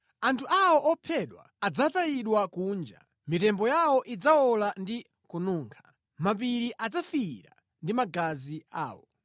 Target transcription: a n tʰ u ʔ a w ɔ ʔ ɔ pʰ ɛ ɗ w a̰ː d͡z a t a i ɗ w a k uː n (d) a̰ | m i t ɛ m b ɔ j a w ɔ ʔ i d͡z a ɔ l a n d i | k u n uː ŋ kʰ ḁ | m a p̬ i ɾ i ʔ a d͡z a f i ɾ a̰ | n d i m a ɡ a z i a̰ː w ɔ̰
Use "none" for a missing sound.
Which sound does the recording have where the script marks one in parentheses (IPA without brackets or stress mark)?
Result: d͡ʒ